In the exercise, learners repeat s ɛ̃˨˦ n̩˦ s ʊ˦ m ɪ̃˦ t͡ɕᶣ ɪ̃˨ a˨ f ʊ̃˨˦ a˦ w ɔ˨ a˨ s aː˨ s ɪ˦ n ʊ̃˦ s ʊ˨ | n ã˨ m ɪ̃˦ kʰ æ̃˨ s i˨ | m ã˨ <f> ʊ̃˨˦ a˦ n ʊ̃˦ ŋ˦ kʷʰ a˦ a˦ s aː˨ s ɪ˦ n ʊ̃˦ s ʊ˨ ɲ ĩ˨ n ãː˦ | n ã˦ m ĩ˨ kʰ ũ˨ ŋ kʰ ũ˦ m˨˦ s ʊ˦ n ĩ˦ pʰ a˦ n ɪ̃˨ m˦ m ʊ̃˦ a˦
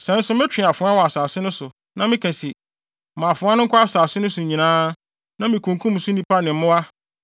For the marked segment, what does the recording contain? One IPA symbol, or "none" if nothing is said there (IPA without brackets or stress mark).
f